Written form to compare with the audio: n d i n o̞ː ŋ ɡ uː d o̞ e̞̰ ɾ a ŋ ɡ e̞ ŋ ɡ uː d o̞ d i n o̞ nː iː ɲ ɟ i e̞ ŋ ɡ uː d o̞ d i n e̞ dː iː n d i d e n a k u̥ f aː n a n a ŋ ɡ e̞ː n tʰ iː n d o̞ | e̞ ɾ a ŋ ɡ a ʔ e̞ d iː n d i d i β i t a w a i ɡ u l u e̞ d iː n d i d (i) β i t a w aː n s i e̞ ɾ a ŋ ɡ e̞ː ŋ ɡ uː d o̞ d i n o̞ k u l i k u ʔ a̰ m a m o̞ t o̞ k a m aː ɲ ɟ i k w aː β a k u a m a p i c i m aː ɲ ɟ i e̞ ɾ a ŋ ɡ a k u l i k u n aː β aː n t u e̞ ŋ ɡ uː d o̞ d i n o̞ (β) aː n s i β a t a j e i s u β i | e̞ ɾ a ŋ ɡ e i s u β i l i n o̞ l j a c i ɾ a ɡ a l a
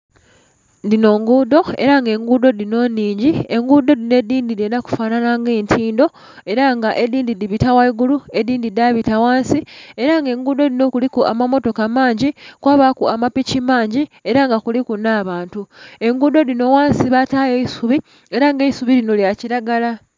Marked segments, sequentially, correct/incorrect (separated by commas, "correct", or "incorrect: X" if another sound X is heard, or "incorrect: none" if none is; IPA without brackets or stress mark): incorrect: a, incorrect: w